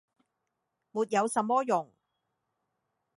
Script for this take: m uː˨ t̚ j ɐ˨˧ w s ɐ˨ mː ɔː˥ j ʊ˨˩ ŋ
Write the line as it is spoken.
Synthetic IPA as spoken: m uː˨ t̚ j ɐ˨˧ w s ɐ˨ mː ɔː˥ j ʊ˨˩ ŋ